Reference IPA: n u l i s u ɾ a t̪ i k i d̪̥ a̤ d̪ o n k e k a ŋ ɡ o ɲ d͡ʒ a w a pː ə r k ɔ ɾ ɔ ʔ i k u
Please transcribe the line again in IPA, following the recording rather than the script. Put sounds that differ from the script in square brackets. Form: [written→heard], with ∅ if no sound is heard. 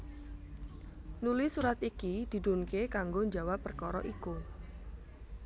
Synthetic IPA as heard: n u l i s u ɾ a t̪ i k i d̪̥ [a̤→i̤] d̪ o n k e k a ŋ ɡ o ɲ d͡ʒ a w a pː ə r k ɔ ɾ ɔ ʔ i k u